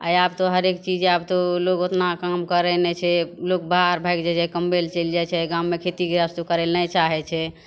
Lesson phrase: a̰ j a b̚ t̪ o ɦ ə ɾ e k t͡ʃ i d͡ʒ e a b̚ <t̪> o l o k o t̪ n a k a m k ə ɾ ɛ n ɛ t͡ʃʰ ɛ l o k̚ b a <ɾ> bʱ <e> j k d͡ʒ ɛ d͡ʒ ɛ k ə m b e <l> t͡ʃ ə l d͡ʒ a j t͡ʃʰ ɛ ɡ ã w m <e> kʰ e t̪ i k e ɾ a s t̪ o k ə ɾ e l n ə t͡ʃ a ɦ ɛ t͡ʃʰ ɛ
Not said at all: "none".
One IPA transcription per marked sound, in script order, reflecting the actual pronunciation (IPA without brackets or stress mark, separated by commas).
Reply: t̪, ɾ, a, l, e